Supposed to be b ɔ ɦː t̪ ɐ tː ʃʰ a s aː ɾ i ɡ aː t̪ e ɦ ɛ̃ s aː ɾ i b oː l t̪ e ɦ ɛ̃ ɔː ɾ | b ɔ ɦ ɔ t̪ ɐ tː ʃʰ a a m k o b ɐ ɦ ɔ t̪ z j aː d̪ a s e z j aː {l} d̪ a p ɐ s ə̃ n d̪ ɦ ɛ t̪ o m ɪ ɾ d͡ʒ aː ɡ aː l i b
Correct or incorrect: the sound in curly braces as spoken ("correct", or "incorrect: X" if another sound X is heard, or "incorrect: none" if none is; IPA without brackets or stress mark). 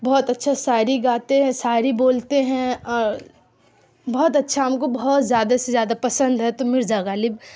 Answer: incorrect: none